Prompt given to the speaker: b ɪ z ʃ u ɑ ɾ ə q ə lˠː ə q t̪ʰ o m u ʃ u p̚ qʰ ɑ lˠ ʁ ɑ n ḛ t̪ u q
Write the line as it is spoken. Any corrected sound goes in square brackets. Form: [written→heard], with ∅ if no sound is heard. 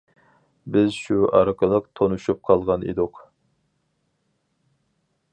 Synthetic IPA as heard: b ɪ z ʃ u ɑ ɾ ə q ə [lˠː→lˠ] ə q t̪ʰ o [m→n] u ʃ u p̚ qʰ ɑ lˠ ʁ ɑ n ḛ [t̪→d̪] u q

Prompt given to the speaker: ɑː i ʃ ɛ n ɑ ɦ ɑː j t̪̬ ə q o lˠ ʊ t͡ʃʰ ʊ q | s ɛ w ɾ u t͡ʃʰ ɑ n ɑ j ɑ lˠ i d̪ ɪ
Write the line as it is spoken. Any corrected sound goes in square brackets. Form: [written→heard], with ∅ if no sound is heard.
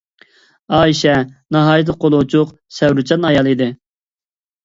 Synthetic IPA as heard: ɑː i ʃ ɛ n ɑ ɦ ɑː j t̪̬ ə q o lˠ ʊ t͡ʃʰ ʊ q | s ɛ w ɾ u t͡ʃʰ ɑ n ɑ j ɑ lˠ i d̪ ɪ

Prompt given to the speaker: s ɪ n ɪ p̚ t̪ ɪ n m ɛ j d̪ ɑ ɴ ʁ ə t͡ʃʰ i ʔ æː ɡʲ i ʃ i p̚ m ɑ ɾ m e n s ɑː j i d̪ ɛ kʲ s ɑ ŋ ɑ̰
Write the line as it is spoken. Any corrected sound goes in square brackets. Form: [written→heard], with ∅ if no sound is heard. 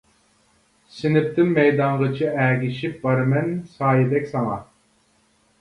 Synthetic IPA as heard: s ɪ n ɪ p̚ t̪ ɪ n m ɛ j d̪ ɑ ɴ ʁ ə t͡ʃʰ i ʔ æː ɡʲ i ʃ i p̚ [m→b] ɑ ɾ m [e→ɛ] n s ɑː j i d̪ ɛ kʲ s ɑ ŋ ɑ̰

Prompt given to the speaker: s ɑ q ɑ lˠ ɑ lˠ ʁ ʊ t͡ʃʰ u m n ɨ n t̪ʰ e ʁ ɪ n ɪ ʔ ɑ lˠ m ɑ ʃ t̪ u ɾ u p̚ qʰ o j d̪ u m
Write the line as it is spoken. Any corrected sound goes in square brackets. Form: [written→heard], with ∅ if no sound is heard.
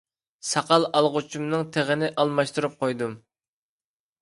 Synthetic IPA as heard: s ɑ q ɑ lˠ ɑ lˠ ʁ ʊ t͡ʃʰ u m n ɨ [n→ŋ] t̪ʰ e ʁ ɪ n ɪ ʔ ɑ lˠ m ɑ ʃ t̪ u ɾ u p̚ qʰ o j d̪ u m

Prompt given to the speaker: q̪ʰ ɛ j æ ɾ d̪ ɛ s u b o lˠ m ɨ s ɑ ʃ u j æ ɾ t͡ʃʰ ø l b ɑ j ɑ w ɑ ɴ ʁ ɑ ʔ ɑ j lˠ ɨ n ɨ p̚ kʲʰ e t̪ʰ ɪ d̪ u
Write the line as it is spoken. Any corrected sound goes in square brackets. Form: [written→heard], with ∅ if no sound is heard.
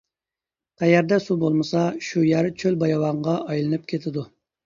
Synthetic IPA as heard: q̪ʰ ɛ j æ ɾ d̪ ɛ s u b o lˠ m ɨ s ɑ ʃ u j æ ɾ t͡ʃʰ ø l b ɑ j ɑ w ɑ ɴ ʁ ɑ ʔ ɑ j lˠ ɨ n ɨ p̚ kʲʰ e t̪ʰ ɪ d̪ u

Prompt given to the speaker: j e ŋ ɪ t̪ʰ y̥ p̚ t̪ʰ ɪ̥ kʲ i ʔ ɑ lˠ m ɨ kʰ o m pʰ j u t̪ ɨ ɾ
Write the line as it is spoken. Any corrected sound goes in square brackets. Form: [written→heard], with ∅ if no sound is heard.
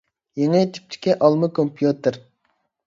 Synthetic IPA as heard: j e ŋ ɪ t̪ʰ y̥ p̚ t̪ʰ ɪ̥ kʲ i ʔ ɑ lˠ m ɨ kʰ o m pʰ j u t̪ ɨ ɾ

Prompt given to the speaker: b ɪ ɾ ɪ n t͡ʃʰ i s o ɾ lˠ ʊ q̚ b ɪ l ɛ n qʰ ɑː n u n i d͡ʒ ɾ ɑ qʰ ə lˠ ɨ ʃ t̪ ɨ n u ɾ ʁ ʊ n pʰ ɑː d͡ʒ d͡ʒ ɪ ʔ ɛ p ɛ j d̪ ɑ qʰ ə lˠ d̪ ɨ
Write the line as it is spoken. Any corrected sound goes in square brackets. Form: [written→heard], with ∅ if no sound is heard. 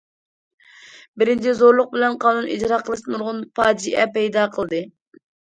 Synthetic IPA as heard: b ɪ ɾ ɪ n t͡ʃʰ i [s→z] o ɾ lˠ ʊ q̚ b ɪ l ɛ n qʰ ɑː n u n i d͡ʒ ɾ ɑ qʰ ə lˠ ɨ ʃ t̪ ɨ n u ɾ ʁ ʊ n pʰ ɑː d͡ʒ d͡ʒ [ɪ→i] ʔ ɛ p ɛ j d̪ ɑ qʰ ə lˠ d̪ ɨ

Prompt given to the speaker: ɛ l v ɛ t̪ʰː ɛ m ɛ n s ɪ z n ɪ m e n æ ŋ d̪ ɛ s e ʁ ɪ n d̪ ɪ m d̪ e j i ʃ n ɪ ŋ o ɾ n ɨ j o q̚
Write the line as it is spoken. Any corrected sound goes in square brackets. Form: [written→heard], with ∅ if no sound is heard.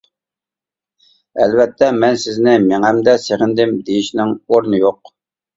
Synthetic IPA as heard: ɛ l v ɛ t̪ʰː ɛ m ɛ n s ɪ z n ɪ m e [n→ŋ] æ [ŋ→m] d̪ ɛ s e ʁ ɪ n d̪ ɪ m d̪ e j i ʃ n ɪ ŋ o ɾ n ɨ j o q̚

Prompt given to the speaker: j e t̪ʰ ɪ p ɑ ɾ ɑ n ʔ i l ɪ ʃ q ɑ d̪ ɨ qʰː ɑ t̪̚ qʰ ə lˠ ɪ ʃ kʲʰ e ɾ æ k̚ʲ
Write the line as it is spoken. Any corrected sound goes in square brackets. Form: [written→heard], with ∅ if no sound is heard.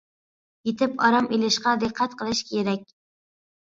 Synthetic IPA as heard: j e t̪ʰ ɪ p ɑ ɾ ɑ [n→m] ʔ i l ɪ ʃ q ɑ d̪ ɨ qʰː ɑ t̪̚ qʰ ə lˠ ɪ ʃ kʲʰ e ɾ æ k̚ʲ

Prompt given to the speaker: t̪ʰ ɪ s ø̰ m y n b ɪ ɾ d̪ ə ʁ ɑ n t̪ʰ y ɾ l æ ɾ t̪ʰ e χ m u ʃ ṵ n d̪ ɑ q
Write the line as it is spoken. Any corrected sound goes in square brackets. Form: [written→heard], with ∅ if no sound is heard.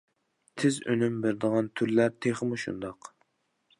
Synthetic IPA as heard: t̪ʰ ɪ [s→z] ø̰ [m→n] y [n→m] b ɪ ɾ d̪ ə ʁ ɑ n t̪ʰ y ɾ l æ ɾ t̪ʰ e χ m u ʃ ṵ n d̪ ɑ q

